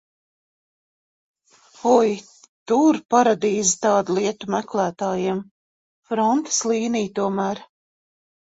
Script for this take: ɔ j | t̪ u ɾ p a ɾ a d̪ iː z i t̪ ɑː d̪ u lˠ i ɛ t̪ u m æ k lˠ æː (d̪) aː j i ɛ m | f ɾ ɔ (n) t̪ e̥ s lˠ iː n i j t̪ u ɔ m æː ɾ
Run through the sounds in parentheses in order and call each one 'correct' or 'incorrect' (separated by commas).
incorrect, correct